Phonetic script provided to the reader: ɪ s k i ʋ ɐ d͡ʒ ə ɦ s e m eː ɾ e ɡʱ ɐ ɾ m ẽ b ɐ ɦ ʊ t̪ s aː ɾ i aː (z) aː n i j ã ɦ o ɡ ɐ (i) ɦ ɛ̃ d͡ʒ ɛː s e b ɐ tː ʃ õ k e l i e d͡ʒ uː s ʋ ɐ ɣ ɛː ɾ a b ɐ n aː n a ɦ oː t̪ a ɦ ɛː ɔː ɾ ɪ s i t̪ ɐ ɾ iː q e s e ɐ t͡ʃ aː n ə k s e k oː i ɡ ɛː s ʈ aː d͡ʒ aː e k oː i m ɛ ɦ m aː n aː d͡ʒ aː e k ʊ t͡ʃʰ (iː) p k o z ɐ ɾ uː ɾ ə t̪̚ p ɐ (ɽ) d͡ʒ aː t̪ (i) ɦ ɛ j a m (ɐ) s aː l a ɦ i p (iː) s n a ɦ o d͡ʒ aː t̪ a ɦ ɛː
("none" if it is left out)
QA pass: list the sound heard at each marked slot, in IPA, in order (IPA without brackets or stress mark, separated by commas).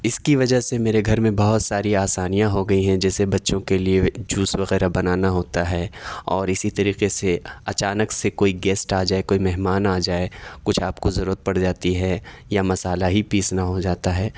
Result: s, i, aː, ɽ, i, ɐ, iː